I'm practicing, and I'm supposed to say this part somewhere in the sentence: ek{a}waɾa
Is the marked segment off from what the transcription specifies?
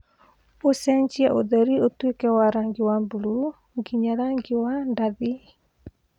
yes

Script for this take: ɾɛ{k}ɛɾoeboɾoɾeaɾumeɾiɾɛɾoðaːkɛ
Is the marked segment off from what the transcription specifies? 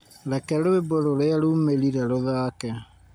no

